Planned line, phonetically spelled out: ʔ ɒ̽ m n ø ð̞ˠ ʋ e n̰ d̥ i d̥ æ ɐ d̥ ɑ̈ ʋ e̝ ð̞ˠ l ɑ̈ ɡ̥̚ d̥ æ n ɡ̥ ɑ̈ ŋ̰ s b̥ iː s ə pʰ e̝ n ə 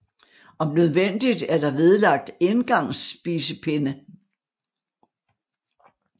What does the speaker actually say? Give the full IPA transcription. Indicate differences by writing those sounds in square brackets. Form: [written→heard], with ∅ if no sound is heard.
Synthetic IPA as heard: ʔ ɒ̽ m n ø ð̞ˠ ʋ e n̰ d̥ i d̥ æ ɐ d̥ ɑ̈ ʋ e̝ ð̞ˠ l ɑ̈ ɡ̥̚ d̥ [æ→e] n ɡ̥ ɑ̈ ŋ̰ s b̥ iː s ə pʰ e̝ n ə

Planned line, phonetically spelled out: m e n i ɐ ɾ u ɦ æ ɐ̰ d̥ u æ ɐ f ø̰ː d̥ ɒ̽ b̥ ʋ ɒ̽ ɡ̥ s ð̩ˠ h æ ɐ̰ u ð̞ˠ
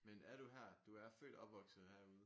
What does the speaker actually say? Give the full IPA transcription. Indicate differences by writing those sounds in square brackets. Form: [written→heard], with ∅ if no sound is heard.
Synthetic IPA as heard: m e n [i→æ] ɐ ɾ u ɦ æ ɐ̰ d̥ u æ ɐ f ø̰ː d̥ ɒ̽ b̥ ʋ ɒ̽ ɡ̥ s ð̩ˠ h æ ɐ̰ u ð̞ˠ

